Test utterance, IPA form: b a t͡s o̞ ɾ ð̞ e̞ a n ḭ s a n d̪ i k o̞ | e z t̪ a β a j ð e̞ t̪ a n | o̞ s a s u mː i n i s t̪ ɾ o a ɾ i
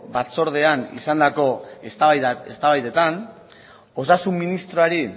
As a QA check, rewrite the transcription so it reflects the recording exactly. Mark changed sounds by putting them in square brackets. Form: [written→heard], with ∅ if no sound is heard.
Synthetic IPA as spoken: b a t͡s o̞ ɾ ð̞ e̞ a n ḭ s a n d̪ [i→a] k o̞ | e [z→s] t̪ a β a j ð e̞ t̪ a n | o̞ s a s u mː i n i s t̪ ɾ o a ɾ i